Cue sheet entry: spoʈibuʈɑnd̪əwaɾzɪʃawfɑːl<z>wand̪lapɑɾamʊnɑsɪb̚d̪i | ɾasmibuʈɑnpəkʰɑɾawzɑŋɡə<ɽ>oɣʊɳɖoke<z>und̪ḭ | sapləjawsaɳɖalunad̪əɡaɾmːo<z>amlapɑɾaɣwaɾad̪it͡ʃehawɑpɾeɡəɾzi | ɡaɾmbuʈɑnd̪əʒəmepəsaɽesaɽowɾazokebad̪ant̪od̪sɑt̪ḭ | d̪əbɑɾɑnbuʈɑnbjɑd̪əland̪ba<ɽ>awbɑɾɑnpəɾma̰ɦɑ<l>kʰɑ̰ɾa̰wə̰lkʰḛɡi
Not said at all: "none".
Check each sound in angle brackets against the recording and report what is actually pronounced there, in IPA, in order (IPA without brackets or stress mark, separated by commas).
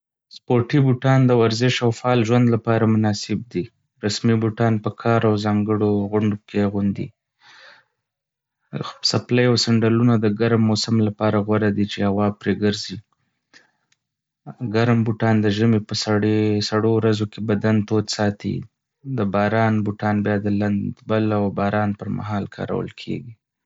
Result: ʒ, ɽ, ɣ, s, l, l